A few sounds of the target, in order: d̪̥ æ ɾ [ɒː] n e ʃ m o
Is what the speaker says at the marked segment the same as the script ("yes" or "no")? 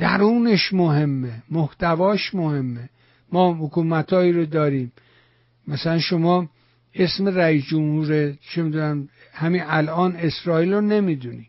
no